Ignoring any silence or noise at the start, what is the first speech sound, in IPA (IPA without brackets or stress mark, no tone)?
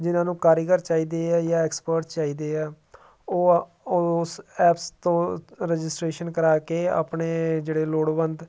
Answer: d͡ʒ